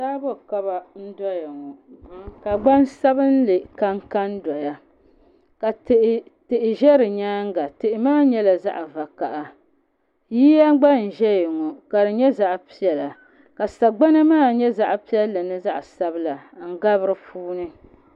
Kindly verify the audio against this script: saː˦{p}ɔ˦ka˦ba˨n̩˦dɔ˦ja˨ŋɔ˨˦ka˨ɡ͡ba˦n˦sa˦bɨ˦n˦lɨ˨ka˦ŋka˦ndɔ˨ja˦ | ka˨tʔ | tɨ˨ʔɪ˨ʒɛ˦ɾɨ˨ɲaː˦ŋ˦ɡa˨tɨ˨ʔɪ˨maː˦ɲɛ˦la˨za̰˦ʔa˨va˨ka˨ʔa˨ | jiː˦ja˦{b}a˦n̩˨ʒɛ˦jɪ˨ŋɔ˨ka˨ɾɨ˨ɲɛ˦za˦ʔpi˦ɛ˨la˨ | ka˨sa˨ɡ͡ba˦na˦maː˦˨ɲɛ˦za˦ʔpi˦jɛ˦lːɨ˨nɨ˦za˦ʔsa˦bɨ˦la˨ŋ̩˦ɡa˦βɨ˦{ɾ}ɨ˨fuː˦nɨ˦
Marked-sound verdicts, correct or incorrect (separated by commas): incorrect, incorrect, correct